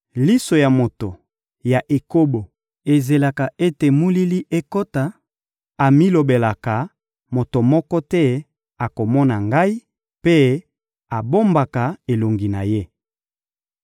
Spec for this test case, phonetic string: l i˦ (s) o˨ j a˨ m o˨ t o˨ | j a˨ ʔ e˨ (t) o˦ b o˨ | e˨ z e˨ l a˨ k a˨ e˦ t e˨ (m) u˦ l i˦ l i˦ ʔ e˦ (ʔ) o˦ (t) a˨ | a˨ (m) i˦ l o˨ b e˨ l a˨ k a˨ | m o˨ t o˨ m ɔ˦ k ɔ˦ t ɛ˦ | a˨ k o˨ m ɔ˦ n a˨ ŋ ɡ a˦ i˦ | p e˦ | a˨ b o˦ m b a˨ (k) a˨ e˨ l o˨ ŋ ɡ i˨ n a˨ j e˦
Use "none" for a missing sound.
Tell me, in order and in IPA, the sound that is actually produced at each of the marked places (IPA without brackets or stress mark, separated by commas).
s, k, m, k, t, m, k